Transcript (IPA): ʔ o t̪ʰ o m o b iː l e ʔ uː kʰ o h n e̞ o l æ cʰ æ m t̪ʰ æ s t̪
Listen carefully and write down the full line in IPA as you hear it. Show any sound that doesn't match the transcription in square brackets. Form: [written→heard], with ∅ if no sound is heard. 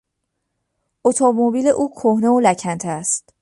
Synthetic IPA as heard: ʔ o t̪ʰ o m o b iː l e ʔ uː kʰ o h n e̞ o l æ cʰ æ [m→n] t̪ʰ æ s t̪

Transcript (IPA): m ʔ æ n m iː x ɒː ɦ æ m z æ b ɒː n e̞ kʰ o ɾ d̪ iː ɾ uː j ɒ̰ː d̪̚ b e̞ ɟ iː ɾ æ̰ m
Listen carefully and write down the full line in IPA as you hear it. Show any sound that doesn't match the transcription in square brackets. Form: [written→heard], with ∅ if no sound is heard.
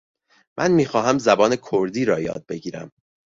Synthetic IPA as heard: m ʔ æ n m iː x ɒː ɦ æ m z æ b ɒː n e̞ kʰ o ɾ d̪ iː ɾ [uː→ɒː] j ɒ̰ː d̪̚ b e̞ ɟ iː ɾ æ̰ m

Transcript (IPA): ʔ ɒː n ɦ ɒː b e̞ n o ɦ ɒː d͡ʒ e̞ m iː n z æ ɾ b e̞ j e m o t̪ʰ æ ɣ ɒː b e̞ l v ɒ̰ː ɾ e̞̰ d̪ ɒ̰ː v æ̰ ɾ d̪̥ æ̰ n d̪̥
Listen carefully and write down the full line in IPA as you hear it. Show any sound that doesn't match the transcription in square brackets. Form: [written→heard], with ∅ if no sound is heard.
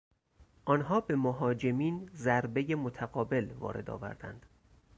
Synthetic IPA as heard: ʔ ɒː n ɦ ɒː b e̞ [n→m] o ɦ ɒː d͡ʒ e̞ m iː n z æ ɾ b e̞ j e m o t̪ʰ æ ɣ ɒː b e̞ l v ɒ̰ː ɾ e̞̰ d̪ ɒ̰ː v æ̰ ɾ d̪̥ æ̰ n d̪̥

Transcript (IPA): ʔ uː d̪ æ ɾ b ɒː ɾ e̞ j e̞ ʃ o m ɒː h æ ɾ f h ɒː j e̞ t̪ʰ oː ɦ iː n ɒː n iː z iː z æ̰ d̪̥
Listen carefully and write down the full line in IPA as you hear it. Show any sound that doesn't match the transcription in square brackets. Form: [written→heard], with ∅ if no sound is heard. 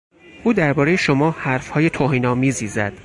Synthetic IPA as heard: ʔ uː d̪ æ ɾ b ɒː ɾ e̞ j e̞ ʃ o m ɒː h æ ɾ f h ɒː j e̞ t̪ʰ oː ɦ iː n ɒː [n→m] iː z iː z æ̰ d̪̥

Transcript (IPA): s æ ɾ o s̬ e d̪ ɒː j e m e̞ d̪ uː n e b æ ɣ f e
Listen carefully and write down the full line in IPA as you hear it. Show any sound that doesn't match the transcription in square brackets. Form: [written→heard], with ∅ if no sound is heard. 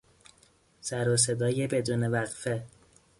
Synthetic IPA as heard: s æ ɾ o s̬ e d̪ ɒː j e [m→b] e̞ d̪ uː n e [b→v] æ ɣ f e

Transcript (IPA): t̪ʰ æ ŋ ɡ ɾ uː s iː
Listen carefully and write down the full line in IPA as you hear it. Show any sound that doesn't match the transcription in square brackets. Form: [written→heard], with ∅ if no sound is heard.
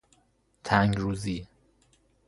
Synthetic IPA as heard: t̪ʰ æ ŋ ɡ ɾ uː [s→z] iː

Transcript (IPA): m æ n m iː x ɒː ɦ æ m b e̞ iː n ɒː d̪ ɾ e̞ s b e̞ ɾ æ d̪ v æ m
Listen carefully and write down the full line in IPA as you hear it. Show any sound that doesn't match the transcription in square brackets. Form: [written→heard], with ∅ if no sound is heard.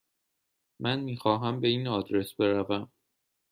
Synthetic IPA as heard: m æ n m iː x ɒː ɦ æ m b e̞ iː n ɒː d̪ ɾ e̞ s b e̞ ɾ æ [d̪→∅] v æ m

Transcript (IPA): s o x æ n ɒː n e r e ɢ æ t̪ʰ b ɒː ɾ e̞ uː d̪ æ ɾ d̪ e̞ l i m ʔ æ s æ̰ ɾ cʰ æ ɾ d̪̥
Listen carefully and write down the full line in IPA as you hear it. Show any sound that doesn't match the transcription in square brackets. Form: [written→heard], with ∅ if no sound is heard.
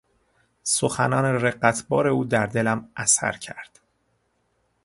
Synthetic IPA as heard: s o x æ n ɒː n e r e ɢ æ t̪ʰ b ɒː ɾ e̞ uː d̪ æ ɾ d̪ e̞ l [i→æ] m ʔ æ s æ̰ ɾ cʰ æ ɾ d̪̥

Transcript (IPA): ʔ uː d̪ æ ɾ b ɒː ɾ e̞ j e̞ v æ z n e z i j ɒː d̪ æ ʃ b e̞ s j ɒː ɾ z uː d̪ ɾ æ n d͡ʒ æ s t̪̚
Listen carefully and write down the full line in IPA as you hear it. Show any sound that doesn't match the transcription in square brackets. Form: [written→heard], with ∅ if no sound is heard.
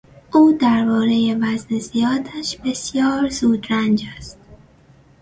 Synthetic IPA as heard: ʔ uː d̪ æ ɾ b ɒː ɾ e̞ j e̞ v æ z n e z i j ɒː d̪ æ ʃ b e̞ s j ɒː ɾ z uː d̪ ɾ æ n d͡ʒ æ s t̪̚

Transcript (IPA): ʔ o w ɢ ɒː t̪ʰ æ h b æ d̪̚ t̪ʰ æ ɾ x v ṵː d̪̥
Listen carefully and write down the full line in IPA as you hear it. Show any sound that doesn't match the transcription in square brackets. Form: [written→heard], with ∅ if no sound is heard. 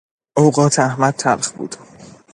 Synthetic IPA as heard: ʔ o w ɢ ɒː t̪ʰ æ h [b→m] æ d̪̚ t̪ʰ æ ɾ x [v→b] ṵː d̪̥

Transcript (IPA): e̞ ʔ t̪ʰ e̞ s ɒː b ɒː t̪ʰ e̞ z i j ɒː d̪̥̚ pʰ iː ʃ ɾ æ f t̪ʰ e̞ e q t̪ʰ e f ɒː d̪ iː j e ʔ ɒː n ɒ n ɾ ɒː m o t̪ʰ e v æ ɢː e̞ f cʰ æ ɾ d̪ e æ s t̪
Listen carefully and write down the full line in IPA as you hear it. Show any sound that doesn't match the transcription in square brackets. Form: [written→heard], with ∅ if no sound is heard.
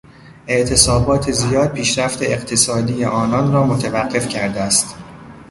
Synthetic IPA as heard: e̞ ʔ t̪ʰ e̞ s ɒː b ɒː t̪ʰ e̞ z i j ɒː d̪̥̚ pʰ iː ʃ ɾ æ f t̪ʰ e̞ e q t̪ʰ e [f→s] ɒː d̪ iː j e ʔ ɒː n ɒ n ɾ ɒː m o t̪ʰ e v æ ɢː e̞ f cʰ æ ɾ d̪ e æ s t̪

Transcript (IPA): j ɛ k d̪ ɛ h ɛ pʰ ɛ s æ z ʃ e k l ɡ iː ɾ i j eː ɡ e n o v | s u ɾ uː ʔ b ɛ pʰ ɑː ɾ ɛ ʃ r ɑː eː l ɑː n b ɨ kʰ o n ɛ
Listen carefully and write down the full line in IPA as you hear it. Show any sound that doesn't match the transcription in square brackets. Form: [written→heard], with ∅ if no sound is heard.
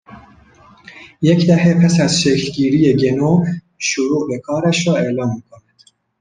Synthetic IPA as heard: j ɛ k d̪ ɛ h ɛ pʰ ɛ s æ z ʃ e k l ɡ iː ɾ i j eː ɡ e n o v | [s→ʃ] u ɾ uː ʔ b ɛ [pʰ→kʰ] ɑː ɾ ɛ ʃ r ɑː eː l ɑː n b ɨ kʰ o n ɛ

